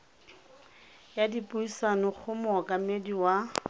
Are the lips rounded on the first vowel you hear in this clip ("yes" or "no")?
no